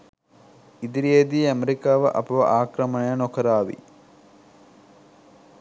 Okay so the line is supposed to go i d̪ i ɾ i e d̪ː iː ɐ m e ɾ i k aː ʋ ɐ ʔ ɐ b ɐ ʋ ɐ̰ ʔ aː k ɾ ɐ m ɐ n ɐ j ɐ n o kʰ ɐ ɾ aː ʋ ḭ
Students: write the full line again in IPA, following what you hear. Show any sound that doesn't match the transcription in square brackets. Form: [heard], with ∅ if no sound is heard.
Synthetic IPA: i d̪ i ɾ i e [d̪] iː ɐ m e ɾ i k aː ʋ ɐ ʔ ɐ [p] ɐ ʋ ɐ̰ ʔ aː k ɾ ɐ m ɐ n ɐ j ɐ n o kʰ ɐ ɾ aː ʋ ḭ